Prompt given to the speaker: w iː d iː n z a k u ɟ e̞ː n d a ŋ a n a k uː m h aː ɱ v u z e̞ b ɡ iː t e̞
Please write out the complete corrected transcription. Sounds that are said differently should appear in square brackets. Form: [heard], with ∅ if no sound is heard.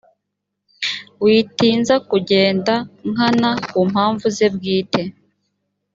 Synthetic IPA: w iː [t] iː n z a k u ɟ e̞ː n d a ŋ a n a k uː m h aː ɱ v u z e̞ b ɡ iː t e̞